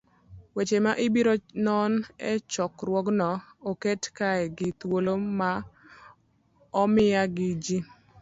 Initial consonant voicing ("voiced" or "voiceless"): voiced